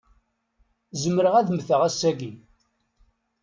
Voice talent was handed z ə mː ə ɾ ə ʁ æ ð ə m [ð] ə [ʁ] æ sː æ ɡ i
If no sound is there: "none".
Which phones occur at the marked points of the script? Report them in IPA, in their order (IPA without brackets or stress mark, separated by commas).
θ, ʁ